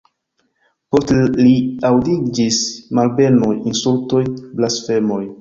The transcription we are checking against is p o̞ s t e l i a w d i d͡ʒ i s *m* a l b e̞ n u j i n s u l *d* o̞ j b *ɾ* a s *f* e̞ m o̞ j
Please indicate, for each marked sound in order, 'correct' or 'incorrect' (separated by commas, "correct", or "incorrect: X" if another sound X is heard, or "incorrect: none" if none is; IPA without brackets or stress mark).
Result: correct, incorrect: t, incorrect: l, correct